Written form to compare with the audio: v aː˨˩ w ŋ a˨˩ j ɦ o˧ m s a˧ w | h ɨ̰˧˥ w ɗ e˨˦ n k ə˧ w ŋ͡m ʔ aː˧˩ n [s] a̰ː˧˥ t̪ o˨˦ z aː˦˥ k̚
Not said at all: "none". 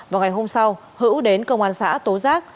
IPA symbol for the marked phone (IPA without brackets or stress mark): s